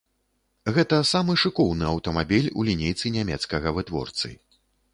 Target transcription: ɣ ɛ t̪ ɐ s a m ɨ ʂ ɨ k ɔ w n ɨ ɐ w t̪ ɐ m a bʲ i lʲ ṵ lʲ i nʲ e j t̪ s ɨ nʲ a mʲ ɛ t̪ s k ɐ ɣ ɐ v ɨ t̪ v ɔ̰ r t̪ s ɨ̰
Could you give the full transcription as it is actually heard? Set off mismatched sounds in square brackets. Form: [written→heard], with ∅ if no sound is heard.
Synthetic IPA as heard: ɣ ɛ t̪ ɐ s a m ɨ ʂ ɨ k ɔ w n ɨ ɐ w t̪ ɐ m a bʲ i lʲ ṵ lʲ i nʲ e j t̪ s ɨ nʲ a mʲ ɛ t̪ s k ɐ ɣ ɐ v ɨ t̪ v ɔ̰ r t̪ s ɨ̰